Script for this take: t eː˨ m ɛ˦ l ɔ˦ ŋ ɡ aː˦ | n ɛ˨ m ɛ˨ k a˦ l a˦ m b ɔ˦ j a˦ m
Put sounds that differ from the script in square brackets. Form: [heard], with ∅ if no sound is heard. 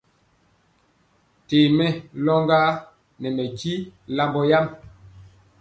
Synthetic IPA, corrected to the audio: t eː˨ m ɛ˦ l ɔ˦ ŋ ɡ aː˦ | n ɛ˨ m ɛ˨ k [i˦] l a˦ m b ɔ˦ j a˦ m